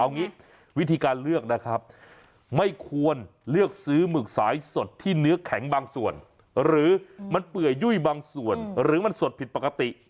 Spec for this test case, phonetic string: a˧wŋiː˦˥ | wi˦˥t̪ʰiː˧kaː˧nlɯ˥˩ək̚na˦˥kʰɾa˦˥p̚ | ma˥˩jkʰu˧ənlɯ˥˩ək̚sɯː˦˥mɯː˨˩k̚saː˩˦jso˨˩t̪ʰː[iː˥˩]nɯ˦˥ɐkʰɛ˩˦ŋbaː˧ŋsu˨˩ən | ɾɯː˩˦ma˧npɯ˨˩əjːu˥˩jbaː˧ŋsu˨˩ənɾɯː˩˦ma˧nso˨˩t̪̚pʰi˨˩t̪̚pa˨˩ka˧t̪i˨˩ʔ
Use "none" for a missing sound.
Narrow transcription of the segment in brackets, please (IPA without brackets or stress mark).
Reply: iː˥˩